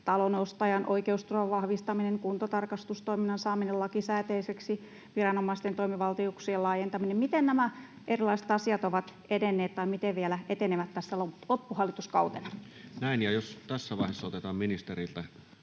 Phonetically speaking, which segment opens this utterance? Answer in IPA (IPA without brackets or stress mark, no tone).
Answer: t̪